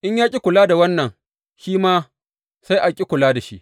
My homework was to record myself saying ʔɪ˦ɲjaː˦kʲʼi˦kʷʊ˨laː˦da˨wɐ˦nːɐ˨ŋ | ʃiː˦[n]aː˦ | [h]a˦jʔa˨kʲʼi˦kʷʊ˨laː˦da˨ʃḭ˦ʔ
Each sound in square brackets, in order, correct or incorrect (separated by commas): incorrect, incorrect